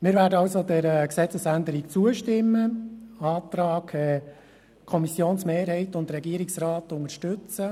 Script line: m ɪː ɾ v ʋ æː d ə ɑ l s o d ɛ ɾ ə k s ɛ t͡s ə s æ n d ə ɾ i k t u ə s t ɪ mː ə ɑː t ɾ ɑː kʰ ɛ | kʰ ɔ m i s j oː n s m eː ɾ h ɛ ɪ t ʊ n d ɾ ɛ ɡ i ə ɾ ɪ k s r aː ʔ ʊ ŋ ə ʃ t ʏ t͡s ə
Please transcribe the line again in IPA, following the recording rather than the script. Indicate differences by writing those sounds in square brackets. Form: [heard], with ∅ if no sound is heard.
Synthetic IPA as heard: m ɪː ɾ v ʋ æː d ə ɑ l s o d ɛ ɾ ə k s ɛ t͡s ə s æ n d ə ɾ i k [t͡s] u ə [ʃ] t ɪ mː ə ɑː t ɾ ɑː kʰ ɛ | kʰ ɔ m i s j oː n s m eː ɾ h ɛ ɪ t ʊ n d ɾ ɛ ɡ i ə ɾ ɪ k s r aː [t] ʊ ŋ ə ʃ t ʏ t͡s ə